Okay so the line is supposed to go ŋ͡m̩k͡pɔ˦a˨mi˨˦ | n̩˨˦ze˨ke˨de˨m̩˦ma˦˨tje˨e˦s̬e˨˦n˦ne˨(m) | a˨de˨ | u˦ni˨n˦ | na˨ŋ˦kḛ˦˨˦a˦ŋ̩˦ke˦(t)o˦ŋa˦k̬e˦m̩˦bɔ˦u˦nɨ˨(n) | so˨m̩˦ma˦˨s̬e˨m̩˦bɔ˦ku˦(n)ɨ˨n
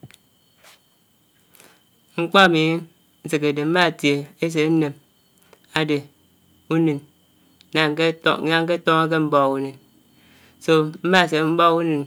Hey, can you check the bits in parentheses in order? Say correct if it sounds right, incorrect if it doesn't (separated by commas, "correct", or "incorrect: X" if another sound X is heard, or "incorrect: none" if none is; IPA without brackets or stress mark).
correct, correct, correct, correct